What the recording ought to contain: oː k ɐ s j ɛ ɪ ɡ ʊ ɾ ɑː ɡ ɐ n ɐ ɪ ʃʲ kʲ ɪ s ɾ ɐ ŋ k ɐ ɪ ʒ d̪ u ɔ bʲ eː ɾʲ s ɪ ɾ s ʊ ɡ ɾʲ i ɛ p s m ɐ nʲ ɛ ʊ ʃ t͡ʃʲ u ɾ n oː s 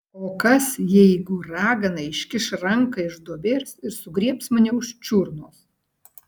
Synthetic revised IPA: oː k ɐ s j ɛ ɪ ɡ ʊ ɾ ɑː ɡ ɐ n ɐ ɪ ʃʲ kʲ ɪ ʃ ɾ ɐ ŋ k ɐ ɪ ʒ d̪ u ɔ bʲ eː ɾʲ s ɪ ɾ s ʊ ɡ ɾʲ i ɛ p s m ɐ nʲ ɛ ʊ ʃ t͡ʃʲ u ɾ n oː s